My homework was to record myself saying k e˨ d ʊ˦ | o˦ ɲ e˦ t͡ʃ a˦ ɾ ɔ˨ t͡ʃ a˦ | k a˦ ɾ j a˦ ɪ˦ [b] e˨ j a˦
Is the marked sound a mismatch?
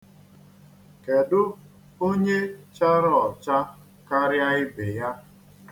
no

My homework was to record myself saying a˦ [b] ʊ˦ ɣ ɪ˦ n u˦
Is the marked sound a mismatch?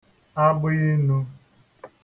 no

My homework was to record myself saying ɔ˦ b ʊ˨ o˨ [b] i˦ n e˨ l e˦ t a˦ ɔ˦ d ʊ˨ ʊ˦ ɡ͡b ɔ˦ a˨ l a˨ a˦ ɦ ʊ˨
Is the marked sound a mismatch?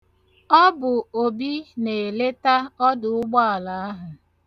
no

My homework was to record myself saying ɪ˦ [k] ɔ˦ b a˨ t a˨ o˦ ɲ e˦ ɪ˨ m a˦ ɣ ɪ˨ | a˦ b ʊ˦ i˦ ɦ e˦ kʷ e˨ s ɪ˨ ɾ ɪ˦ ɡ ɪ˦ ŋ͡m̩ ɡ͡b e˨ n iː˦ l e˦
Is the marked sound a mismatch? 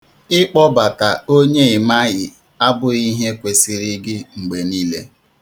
yes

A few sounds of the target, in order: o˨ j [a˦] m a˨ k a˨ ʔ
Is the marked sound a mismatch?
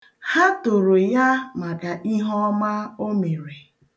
no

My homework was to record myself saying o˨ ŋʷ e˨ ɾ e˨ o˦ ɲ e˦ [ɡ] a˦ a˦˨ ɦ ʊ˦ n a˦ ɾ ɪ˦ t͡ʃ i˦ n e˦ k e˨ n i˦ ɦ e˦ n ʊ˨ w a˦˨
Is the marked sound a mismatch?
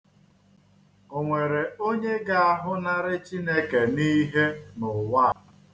no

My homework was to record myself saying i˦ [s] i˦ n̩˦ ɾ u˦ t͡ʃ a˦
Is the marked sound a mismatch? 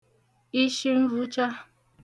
yes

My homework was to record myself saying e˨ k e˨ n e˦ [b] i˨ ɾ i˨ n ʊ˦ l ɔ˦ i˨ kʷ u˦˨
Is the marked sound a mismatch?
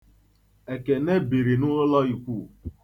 no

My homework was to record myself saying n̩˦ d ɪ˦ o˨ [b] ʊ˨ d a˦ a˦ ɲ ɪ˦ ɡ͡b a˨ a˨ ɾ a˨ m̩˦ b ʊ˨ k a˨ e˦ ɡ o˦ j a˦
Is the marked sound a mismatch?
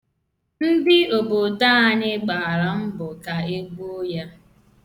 no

